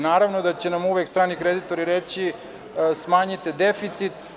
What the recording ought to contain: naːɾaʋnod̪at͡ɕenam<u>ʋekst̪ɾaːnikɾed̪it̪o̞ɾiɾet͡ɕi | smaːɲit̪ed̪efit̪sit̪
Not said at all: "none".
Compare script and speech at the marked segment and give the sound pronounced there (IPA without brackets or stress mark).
u